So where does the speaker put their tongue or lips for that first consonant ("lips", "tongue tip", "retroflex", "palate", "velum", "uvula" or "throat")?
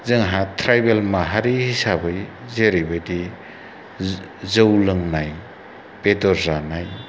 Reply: tongue tip